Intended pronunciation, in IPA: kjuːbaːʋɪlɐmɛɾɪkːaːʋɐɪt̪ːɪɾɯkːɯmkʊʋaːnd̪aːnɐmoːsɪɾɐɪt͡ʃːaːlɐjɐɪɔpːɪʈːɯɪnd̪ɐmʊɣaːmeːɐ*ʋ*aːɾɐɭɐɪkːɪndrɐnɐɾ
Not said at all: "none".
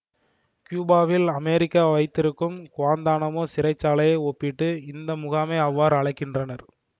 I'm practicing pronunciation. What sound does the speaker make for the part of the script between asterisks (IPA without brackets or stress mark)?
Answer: ʋː